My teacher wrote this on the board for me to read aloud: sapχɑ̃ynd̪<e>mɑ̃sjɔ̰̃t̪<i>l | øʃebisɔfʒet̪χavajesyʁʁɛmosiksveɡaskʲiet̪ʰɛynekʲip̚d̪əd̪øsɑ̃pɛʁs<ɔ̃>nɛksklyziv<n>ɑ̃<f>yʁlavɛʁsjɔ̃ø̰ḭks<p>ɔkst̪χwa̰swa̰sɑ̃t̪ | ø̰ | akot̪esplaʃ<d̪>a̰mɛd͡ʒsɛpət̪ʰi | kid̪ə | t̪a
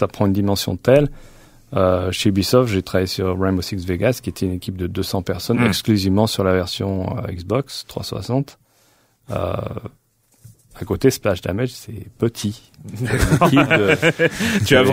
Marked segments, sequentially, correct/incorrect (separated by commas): incorrect, incorrect, incorrect, incorrect, incorrect, incorrect, correct